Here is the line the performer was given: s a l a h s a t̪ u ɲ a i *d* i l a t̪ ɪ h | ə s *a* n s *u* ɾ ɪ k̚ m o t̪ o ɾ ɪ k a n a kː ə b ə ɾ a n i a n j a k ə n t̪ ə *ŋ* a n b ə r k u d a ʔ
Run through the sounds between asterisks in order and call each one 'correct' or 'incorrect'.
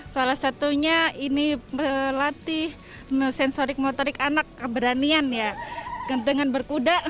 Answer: incorrect: n, incorrect: ɛ, incorrect: o, correct

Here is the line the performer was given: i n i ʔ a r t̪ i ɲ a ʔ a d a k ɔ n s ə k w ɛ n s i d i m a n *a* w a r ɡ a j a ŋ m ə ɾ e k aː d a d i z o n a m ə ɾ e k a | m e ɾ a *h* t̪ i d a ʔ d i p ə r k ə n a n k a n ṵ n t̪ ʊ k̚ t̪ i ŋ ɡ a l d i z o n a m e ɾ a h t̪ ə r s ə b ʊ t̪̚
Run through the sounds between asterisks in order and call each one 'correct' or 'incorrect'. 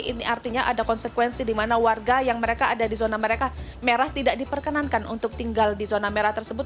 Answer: correct, correct

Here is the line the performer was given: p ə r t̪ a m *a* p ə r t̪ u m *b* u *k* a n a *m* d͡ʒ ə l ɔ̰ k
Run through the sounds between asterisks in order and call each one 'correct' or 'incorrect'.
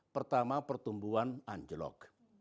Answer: correct, correct, incorrect: none, incorrect: ɲ

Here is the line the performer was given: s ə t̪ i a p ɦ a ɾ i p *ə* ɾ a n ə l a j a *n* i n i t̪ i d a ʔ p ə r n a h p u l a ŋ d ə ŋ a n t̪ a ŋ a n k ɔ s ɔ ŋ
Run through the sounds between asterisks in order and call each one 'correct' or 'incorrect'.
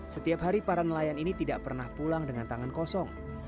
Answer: incorrect: a, correct

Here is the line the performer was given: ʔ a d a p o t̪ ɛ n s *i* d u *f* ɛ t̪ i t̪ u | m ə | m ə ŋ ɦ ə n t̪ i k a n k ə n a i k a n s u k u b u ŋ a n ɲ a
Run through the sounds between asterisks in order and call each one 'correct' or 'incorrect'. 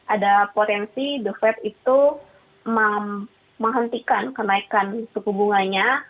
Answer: correct, correct

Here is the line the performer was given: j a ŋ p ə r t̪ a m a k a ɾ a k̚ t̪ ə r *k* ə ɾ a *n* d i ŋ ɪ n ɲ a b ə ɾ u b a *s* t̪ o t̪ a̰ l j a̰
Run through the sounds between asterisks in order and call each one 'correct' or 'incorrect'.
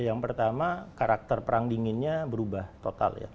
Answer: incorrect: p, incorrect: ŋ, incorrect: h

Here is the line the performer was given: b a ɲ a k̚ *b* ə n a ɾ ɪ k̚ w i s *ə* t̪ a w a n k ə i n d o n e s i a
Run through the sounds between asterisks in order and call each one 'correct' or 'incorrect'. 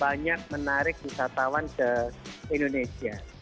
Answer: incorrect: m, incorrect: a

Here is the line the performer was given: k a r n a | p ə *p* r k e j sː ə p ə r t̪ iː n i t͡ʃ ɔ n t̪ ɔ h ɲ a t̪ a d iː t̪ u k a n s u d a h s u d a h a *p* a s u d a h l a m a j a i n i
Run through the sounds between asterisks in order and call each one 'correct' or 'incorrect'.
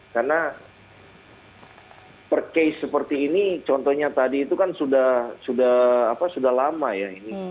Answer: incorrect: none, correct

